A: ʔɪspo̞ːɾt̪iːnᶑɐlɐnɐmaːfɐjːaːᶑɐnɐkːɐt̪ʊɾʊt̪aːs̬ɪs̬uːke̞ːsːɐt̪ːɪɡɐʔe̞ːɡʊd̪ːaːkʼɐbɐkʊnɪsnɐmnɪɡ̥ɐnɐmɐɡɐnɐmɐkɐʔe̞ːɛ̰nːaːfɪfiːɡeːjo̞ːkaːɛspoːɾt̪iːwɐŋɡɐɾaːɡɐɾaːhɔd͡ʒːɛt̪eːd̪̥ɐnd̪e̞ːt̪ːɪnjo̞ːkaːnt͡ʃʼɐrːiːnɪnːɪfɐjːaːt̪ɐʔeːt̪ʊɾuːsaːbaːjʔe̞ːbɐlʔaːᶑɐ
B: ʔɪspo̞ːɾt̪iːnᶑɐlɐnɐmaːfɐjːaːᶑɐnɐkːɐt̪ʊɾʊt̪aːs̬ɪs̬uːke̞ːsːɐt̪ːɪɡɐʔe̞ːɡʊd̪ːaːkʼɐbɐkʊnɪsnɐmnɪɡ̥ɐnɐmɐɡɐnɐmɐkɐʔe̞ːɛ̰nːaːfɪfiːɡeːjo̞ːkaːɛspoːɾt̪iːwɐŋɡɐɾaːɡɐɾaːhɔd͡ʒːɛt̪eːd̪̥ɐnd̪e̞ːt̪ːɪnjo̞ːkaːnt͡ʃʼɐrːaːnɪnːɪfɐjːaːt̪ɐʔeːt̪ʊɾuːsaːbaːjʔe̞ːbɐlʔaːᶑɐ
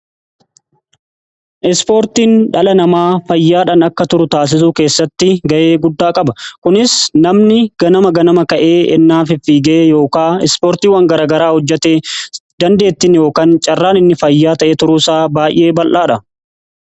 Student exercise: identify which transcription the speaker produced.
B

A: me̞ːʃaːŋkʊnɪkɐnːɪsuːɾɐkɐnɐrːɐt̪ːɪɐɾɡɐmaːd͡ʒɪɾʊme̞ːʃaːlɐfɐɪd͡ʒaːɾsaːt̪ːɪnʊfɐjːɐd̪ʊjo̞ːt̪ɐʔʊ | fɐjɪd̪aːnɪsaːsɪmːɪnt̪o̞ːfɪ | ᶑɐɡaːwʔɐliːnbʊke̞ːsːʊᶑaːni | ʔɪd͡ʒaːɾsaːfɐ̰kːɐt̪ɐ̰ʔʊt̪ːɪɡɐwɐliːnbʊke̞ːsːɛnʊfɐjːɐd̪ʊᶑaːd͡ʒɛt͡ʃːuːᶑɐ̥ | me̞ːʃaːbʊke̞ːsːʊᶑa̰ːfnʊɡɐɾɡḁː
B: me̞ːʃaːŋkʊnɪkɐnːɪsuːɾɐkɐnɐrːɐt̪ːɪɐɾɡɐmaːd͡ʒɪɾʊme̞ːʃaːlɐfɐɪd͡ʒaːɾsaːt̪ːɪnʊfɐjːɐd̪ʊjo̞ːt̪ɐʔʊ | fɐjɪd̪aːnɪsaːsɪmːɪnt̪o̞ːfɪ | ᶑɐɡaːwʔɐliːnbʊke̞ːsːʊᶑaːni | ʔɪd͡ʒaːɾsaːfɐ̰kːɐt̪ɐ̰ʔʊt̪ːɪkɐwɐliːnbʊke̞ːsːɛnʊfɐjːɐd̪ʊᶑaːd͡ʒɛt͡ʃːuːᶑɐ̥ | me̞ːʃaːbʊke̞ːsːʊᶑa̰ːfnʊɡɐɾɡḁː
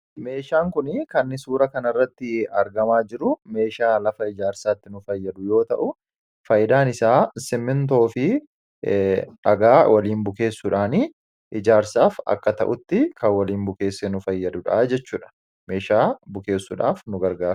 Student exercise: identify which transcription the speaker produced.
B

